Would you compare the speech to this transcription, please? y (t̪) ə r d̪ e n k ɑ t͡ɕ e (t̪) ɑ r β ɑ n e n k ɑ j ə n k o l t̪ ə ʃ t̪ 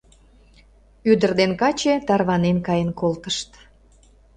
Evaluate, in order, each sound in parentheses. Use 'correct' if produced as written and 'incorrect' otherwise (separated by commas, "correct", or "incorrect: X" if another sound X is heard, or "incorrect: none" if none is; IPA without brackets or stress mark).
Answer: incorrect: d̪, correct